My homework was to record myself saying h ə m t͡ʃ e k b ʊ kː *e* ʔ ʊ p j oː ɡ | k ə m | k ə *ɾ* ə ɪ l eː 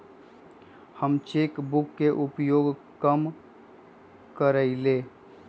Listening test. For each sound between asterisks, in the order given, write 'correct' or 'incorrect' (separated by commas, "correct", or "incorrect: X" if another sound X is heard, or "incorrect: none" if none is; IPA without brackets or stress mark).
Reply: correct, correct